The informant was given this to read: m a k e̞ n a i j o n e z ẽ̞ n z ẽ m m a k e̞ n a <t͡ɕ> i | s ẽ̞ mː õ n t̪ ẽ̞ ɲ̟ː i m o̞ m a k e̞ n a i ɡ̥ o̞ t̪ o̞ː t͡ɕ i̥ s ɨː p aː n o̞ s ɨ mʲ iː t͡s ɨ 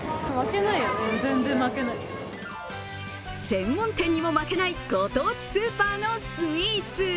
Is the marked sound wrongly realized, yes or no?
yes